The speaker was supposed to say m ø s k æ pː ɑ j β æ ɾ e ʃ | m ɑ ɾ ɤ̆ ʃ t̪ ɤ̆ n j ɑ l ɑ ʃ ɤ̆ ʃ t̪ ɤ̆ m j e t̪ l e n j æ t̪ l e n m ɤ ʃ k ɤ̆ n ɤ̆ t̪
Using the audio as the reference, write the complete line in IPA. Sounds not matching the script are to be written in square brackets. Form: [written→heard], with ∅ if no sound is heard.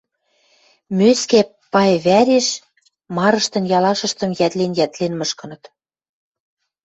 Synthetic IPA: m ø s k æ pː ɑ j β æ ɾ e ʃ | m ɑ ɾ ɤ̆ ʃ t̪ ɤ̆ n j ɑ l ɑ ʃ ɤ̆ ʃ t̪ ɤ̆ m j [e→æ] t̪ l e n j æ t̪ l e n m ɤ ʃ k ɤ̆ n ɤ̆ t̪